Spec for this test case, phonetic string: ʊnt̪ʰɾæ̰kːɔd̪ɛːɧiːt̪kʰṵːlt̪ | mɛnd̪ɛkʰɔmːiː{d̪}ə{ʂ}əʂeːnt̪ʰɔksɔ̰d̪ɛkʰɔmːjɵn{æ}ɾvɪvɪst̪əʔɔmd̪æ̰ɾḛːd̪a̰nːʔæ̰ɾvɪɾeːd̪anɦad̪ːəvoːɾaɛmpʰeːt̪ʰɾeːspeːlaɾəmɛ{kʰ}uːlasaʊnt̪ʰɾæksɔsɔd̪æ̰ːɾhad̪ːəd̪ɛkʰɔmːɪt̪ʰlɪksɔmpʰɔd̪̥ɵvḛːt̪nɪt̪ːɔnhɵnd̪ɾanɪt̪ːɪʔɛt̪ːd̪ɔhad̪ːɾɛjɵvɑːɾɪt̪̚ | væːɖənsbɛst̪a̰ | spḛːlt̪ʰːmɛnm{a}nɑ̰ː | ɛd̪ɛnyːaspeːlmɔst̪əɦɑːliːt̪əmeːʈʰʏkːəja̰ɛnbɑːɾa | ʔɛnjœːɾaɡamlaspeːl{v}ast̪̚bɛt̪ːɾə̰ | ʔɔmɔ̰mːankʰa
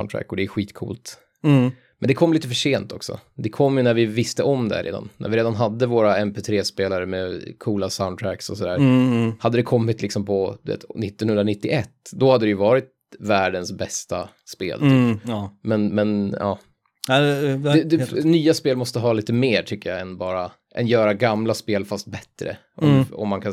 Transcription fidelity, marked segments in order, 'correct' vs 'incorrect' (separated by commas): incorrect, incorrect, correct, correct, incorrect, incorrect